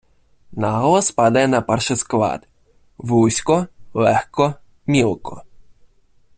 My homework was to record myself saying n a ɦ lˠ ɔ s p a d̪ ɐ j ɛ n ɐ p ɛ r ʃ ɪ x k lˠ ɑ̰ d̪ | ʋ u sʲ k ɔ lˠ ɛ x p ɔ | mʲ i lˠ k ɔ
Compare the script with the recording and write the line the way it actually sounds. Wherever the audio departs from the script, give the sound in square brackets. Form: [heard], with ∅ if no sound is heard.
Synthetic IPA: n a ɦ lˠ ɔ s p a d̪ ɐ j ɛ n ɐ p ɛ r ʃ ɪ [s] k lˠ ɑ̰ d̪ | ʋ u sʲ k ɔ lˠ ɛ x [k] ɔ | mʲ i lˠ k ɔ